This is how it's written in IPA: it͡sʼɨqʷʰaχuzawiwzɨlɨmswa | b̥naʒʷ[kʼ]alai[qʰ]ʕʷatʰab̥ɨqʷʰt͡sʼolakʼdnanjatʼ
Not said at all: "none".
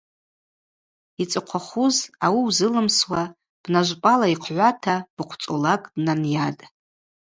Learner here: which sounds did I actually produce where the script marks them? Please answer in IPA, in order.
pʼ, qʰ

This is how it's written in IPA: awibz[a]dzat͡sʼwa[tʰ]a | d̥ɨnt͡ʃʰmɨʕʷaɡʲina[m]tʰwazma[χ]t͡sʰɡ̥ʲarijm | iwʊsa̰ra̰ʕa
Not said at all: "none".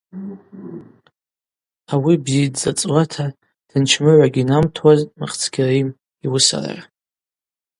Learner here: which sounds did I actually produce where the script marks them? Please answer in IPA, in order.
i, tʰ, m, χ

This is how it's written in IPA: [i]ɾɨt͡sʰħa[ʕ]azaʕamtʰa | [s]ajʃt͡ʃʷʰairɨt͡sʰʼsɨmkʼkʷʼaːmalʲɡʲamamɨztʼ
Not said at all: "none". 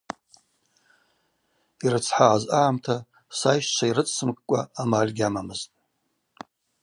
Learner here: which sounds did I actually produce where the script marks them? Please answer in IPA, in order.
i, ʕ, s

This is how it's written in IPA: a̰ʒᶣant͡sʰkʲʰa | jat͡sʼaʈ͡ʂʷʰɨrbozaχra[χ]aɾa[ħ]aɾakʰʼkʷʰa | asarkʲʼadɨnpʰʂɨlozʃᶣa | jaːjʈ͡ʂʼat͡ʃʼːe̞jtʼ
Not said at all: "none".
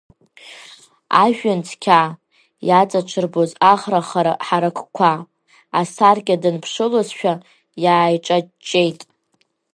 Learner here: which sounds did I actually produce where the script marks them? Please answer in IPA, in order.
χ, ħ

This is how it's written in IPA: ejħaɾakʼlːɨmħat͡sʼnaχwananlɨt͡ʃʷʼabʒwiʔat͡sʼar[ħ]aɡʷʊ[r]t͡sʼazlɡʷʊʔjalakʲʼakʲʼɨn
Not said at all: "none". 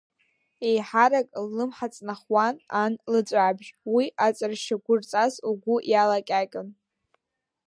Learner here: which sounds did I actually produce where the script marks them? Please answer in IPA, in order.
ʃ, r

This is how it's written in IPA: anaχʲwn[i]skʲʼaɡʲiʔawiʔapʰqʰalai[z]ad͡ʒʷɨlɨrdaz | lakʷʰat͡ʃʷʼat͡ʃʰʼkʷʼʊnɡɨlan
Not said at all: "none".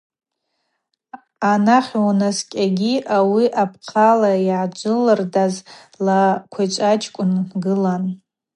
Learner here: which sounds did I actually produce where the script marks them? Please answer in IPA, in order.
a, ʕ

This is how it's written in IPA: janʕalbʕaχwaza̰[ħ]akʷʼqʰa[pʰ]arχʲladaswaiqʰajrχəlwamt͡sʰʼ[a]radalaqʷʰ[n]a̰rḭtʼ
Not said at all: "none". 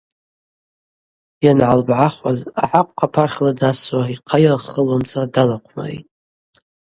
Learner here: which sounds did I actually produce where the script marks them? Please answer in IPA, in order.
ħ, pʰ, a, m

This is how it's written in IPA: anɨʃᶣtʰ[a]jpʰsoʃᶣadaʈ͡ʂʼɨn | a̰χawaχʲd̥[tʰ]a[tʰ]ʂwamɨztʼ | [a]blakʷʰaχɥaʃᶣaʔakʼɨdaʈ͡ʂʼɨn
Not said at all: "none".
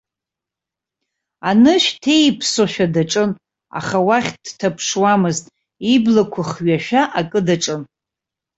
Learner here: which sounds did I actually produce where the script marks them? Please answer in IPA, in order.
e, tʰ, pʰ, i

